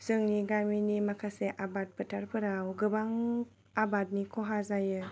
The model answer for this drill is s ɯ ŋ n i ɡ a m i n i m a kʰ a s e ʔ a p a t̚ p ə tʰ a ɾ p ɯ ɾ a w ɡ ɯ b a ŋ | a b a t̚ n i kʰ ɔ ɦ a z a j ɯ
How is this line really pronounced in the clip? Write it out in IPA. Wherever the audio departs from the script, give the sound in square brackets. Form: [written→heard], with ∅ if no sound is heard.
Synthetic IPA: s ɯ ŋ n i ɡ a m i n i m a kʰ a s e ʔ a [p→b] a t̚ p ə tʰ a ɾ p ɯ ɾ a w ɡ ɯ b a ŋ | a b a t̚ n i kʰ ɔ ɦ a z a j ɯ